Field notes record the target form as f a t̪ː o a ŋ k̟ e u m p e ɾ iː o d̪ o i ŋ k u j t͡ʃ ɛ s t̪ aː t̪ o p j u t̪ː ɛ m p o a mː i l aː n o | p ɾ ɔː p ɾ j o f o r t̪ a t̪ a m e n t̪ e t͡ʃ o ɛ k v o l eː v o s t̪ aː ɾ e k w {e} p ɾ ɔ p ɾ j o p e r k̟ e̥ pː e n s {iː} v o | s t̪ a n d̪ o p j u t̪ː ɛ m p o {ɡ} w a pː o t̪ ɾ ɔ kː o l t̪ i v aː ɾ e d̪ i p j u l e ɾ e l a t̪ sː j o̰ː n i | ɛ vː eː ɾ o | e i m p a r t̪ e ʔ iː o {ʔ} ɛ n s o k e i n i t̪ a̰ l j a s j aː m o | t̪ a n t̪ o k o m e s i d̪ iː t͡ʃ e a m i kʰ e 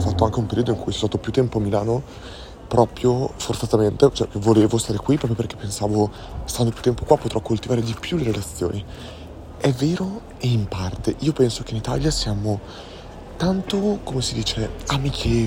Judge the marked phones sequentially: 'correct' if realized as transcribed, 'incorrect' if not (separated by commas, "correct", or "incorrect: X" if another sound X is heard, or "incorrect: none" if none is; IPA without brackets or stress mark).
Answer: incorrect: i, incorrect: aː, incorrect: k, incorrect: p